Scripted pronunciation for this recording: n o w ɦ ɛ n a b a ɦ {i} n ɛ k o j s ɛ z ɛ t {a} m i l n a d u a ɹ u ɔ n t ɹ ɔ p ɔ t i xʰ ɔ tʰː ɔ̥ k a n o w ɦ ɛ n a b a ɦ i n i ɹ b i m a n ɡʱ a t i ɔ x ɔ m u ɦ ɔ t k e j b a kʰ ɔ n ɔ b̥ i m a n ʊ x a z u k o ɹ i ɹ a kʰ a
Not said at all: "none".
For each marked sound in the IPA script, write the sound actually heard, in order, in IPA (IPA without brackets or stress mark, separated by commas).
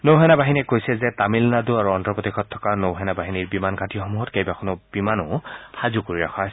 i, a